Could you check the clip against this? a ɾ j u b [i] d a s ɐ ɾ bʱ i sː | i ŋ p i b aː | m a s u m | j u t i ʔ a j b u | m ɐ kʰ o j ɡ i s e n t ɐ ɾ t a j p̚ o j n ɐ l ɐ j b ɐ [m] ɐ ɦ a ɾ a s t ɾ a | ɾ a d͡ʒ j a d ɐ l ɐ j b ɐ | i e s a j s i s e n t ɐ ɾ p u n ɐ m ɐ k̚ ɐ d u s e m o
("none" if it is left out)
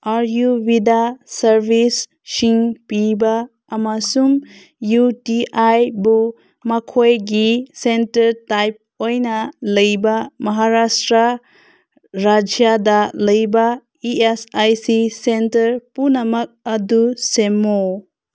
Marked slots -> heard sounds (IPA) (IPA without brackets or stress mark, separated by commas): i, m